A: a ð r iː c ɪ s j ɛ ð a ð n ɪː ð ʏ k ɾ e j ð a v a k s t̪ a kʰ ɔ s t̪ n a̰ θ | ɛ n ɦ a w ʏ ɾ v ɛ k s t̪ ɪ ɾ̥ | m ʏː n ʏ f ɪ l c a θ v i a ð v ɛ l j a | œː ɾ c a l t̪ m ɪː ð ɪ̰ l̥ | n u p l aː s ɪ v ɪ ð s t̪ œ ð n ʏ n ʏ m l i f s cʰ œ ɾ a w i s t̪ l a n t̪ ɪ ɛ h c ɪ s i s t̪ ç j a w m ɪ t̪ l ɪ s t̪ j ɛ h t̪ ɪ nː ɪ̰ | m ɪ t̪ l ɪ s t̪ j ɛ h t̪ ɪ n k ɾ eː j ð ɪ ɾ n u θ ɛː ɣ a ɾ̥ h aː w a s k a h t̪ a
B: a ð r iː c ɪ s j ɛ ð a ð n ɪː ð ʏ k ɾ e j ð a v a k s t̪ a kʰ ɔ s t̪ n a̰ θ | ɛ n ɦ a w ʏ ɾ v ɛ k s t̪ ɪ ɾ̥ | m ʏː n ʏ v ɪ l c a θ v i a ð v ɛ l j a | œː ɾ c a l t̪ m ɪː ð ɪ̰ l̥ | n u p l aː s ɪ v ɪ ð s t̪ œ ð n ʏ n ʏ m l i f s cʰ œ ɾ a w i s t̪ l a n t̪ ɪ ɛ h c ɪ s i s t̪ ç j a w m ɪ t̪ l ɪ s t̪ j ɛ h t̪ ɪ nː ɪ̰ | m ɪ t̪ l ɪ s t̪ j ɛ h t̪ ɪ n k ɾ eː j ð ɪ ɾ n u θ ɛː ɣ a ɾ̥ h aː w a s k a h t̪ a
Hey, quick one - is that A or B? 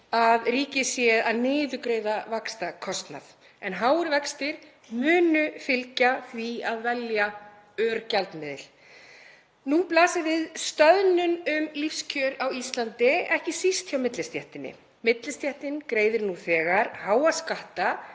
A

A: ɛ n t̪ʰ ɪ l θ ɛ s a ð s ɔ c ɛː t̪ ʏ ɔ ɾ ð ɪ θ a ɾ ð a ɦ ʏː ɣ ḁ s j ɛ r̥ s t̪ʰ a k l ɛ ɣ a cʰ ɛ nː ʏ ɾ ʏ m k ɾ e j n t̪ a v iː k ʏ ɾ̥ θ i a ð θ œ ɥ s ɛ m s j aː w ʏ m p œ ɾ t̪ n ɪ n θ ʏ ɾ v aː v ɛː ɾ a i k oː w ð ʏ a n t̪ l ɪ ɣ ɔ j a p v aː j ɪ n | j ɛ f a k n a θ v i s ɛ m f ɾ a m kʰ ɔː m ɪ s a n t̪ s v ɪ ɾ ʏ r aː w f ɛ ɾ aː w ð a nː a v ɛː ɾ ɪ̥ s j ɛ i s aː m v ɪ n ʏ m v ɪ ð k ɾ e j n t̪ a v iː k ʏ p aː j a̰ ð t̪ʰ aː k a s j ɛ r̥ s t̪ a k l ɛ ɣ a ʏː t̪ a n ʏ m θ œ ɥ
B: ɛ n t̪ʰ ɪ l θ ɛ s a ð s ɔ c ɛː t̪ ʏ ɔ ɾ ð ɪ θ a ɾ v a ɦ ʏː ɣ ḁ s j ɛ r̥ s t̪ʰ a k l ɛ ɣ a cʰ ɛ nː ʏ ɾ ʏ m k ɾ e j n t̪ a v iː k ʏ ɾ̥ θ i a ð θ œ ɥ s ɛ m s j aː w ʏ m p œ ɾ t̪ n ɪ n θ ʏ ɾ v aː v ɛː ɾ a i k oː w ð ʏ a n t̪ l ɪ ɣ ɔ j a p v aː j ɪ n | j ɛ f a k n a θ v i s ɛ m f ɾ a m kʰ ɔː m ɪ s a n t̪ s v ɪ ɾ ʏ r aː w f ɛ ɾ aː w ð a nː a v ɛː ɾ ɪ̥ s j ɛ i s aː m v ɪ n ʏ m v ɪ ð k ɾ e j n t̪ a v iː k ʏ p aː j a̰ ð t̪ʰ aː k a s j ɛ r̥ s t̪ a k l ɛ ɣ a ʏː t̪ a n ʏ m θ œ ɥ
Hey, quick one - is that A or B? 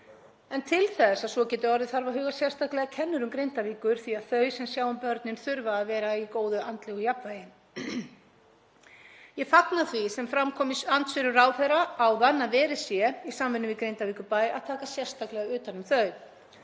B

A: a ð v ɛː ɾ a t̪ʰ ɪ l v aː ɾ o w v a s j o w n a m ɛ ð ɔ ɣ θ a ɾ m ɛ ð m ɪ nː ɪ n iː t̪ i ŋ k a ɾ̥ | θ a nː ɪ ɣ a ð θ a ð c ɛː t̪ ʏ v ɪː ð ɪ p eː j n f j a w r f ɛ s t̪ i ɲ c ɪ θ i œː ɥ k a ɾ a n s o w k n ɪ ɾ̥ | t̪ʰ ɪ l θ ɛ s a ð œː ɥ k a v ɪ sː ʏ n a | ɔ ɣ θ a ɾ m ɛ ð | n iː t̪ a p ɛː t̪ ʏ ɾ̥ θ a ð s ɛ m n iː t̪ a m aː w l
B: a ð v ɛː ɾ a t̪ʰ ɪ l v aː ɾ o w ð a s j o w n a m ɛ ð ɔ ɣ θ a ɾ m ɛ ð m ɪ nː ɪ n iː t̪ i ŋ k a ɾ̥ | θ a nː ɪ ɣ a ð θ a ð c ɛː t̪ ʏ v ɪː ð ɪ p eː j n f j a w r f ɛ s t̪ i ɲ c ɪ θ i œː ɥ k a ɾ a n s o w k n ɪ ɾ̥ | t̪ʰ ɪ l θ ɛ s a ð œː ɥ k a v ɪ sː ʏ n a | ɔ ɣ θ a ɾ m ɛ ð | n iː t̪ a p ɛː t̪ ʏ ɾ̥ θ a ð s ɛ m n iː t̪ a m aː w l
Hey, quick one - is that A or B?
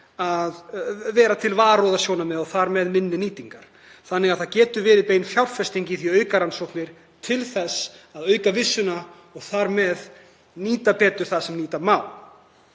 B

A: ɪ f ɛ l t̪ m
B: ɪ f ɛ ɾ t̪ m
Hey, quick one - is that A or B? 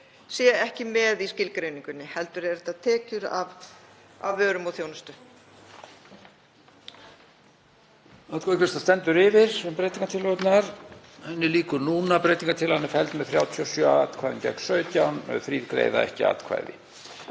A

